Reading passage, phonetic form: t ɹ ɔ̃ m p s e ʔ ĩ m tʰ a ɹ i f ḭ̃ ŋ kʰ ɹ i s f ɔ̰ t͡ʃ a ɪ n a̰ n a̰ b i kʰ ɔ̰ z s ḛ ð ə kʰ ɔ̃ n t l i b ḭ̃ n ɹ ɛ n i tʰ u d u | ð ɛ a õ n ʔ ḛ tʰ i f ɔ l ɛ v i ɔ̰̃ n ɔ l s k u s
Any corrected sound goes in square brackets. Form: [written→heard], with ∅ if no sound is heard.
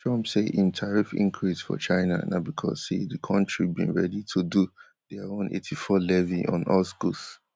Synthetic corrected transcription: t ɹ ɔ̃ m p s e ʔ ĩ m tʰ a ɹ i f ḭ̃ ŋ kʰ ɹ i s f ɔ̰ t͡ʃ a ɪ n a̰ n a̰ b i kʰ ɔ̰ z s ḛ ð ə kʰ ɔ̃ n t [l→ɹ] i b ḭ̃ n ɹ ɛ [n→d] i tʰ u d u | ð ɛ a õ n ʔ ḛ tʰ i f ɔ l ɛ v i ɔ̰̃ n ɔ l s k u s